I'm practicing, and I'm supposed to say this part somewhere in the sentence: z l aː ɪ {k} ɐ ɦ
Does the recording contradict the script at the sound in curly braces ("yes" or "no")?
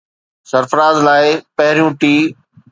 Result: yes